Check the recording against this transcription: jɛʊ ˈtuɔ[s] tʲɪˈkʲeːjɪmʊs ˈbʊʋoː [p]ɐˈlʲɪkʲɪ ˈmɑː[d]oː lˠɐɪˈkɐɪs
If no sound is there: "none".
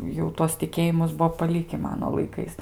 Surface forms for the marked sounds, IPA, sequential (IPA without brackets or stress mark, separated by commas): s, p, n